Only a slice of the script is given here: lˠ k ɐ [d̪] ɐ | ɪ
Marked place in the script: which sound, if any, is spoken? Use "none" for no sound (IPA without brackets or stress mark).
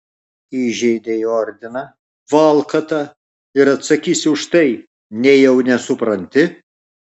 t̪